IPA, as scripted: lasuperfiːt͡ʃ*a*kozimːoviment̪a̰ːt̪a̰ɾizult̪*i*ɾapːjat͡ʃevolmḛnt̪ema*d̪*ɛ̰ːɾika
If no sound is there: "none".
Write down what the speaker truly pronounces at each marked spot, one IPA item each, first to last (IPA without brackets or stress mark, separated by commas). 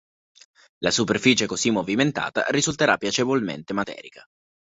e, e, t̪